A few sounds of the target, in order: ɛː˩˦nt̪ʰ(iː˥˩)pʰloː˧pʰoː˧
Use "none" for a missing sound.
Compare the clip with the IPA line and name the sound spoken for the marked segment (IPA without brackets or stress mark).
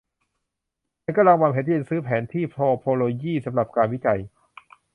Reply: iː˥˩